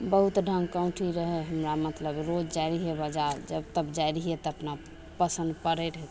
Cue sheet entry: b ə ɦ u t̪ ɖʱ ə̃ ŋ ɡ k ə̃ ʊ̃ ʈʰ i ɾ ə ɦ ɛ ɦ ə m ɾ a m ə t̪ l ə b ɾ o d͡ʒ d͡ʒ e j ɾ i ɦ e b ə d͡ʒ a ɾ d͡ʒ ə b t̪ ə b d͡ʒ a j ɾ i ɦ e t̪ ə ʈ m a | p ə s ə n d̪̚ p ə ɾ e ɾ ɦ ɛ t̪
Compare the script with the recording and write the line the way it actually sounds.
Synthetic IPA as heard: b ə ɦ u t̪ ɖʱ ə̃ ŋ ɡ k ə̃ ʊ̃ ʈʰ i ɾ ə ɦ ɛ ɦ ə m ɾ a m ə t̪ l ə b ɾ o d͡ʒ d͡ʒ a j ɾ i ɦ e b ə d͡ʒ a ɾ d͡ʒ ə b t̪ ə b d͡ʒ a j ɾ i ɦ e t̪ ə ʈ n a | p ə s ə n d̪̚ p ə ɾ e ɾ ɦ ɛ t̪